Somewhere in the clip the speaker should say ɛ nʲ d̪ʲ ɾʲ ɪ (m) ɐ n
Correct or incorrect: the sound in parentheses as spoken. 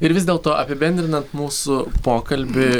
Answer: incorrect: n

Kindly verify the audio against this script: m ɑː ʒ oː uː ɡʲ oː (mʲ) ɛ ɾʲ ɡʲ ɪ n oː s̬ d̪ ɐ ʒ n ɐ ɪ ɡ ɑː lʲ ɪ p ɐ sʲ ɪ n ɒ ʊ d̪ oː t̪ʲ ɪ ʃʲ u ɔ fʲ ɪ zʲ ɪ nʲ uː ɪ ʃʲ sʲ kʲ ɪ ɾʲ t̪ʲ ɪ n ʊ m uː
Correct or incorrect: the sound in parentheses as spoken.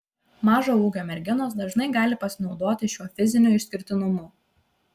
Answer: correct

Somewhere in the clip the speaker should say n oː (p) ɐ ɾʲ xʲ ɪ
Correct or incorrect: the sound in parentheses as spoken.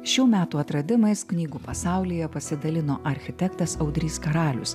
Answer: incorrect: ʔ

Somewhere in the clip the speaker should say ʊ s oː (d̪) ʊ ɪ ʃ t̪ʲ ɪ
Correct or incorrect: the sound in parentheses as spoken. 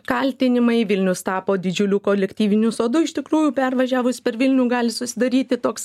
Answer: correct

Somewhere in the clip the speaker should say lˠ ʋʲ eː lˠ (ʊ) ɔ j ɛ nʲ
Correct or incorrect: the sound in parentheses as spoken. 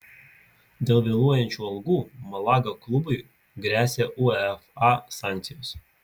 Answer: incorrect: u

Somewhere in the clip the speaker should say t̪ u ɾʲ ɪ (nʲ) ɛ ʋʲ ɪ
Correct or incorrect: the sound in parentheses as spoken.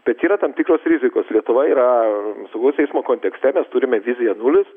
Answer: incorrect: mʲ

